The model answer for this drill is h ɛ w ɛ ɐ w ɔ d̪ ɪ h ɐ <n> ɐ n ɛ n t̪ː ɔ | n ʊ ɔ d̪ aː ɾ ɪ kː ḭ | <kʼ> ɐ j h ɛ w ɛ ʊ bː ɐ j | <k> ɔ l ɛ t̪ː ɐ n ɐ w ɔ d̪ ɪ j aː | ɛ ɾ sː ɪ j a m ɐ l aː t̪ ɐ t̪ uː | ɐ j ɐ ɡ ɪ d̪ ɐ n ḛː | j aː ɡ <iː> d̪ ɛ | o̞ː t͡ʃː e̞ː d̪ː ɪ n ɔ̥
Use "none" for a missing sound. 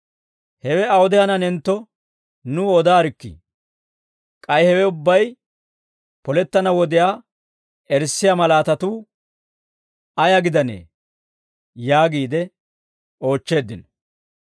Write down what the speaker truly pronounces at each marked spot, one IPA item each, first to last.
n, kʼ, p, iː

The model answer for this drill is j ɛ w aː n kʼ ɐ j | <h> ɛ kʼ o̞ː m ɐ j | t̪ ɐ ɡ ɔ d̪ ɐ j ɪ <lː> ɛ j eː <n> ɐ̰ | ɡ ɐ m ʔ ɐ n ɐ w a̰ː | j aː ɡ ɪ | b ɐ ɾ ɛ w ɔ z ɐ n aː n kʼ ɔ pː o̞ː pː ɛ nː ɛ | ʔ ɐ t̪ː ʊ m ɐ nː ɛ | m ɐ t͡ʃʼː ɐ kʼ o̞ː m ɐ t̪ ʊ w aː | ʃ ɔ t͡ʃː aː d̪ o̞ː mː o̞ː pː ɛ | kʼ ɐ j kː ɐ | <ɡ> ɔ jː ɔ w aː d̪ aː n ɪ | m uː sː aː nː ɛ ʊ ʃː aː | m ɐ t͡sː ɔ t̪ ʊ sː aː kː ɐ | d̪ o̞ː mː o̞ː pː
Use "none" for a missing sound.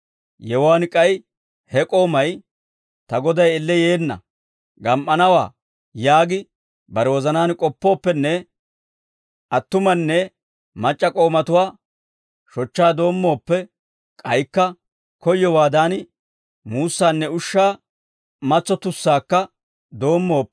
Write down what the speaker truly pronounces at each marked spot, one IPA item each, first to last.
h, lː, nː, k

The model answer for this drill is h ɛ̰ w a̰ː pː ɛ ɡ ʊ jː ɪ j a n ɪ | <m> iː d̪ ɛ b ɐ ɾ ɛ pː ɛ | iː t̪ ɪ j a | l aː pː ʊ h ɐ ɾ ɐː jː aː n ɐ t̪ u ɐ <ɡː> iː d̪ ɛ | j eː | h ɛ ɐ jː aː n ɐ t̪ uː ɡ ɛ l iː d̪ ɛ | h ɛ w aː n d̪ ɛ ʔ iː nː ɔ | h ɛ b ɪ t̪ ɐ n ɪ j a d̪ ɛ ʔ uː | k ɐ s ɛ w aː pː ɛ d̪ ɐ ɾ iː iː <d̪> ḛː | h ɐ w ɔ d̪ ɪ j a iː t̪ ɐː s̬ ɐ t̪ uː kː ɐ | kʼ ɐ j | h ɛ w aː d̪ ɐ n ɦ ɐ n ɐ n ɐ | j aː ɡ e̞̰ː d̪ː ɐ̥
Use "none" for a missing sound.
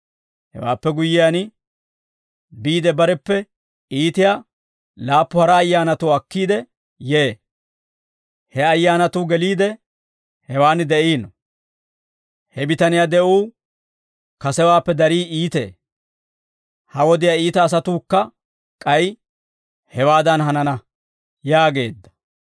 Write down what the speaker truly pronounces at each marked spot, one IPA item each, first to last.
b, kː, t̪

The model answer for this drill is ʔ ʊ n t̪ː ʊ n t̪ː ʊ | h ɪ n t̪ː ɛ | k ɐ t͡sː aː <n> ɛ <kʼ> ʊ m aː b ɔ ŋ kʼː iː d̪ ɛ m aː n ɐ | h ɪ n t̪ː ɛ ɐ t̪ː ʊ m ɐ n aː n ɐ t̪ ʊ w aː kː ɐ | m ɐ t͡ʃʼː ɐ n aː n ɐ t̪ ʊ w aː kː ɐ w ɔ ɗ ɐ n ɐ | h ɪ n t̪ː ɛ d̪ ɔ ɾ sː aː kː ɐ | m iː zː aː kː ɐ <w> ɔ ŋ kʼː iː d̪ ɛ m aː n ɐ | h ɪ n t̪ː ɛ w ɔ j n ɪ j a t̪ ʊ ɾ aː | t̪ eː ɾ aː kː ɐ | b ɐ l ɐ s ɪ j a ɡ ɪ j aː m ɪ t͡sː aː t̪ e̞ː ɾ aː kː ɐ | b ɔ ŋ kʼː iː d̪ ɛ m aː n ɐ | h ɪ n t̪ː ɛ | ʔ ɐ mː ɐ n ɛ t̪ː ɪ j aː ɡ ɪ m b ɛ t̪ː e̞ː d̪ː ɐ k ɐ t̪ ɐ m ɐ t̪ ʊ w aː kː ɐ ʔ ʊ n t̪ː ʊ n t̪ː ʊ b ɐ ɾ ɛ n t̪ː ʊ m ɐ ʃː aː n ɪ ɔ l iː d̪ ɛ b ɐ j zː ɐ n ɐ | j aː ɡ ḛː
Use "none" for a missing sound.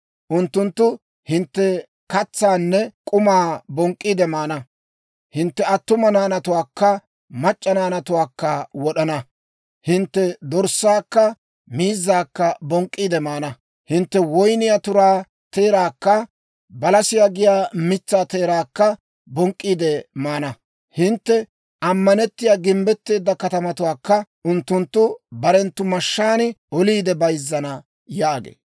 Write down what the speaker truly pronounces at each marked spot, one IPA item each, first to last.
nː, kʼ, b

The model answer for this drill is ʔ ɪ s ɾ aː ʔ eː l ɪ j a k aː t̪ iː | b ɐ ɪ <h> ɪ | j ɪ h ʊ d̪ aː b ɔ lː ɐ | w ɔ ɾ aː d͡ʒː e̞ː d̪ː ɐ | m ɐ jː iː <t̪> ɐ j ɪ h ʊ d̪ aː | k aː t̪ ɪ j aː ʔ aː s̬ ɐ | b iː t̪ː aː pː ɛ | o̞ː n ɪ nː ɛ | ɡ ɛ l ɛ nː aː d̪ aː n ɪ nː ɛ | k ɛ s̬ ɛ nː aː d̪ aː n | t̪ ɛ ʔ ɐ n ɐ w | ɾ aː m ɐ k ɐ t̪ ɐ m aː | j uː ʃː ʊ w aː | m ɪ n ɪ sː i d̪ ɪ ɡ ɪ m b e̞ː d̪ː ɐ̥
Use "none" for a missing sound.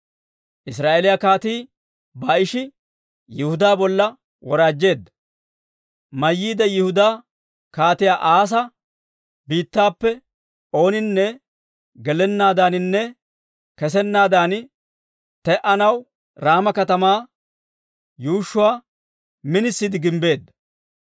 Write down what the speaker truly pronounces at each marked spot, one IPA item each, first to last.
ʃ, d̪

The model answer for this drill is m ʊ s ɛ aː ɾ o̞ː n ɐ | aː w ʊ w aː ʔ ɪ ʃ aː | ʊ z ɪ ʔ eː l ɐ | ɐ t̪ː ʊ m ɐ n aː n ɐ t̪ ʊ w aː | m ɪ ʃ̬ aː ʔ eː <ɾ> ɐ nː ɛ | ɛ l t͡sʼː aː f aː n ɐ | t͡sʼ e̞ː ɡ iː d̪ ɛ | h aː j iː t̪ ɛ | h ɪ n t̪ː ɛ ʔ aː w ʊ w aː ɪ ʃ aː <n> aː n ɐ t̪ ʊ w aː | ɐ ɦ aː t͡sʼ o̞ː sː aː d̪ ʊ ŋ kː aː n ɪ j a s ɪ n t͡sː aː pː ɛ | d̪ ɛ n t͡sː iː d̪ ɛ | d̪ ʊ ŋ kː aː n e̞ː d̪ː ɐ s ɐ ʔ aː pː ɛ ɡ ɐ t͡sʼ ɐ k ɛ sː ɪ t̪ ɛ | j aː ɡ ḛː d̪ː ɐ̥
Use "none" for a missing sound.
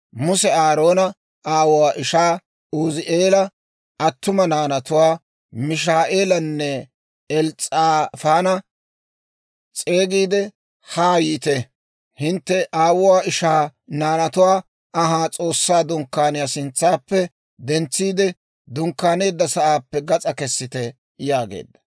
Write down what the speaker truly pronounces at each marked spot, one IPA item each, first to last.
l, n

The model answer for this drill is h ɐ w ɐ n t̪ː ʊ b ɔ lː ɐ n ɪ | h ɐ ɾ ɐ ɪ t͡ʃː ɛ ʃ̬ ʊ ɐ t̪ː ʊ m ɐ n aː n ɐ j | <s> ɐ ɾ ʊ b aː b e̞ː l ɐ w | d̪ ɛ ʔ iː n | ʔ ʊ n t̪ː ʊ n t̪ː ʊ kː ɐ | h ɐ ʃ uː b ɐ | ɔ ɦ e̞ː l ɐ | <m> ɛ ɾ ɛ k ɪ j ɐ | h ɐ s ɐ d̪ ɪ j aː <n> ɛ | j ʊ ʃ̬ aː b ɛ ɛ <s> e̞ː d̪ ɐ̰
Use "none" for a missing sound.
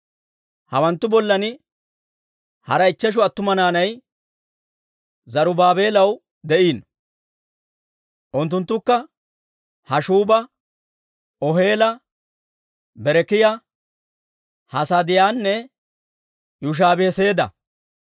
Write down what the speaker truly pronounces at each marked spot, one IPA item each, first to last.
z, b, nː, s

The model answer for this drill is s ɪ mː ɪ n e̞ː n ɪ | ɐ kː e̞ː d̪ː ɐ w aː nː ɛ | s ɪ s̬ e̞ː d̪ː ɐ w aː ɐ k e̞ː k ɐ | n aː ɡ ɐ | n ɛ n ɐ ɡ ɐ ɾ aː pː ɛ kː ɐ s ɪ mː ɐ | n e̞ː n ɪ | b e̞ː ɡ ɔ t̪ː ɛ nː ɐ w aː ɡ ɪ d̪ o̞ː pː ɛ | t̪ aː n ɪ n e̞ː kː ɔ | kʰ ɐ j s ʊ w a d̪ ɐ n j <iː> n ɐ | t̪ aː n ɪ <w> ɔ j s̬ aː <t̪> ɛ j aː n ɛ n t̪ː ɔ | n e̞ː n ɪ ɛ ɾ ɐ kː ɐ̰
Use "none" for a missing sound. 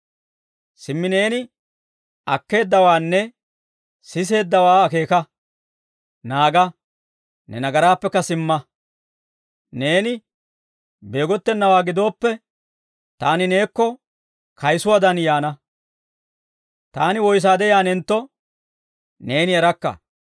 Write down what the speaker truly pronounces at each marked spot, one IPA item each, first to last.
aː, w, d̪

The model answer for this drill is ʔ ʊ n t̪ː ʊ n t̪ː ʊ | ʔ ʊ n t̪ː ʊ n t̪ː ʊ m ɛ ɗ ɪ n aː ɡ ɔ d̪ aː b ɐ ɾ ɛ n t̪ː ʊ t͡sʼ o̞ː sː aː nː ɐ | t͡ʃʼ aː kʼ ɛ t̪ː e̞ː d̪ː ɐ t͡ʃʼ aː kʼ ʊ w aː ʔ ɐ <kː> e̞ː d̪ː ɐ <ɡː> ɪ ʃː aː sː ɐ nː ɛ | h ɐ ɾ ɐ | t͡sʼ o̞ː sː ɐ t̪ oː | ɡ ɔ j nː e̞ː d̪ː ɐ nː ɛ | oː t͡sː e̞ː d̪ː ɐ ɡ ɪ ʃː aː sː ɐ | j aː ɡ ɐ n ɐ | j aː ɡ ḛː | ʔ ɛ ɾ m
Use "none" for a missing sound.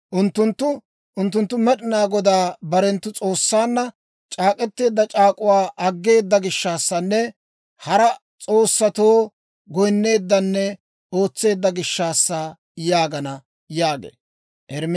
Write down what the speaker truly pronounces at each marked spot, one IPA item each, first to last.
ɡː, ɡ

